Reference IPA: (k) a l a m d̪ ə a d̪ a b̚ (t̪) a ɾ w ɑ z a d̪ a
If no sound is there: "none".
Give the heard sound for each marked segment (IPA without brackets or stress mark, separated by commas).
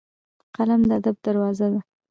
q, d̪